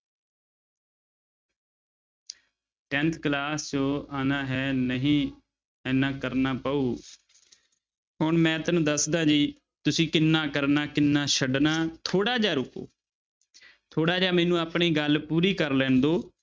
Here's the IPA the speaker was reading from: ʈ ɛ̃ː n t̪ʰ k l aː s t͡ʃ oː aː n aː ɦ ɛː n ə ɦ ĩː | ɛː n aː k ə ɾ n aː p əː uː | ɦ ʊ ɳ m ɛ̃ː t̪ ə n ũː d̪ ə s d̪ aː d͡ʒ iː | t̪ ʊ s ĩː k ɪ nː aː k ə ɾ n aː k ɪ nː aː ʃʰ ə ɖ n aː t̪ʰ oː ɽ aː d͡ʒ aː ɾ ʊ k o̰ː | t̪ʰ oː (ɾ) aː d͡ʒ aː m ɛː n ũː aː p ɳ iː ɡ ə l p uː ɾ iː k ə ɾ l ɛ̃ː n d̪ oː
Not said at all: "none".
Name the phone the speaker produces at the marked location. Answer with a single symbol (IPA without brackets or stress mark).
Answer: ɽ